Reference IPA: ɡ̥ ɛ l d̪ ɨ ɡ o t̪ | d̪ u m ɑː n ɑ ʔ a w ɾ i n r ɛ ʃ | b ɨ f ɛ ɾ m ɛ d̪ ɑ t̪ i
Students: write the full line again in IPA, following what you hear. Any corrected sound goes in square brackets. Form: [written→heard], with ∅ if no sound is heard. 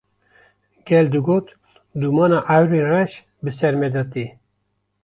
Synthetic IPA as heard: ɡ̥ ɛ l d̪ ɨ ɡ o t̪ | d̪ u m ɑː n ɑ ʔ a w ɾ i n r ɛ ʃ | b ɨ [f→s] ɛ ɾ m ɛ d̪ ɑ t̪ i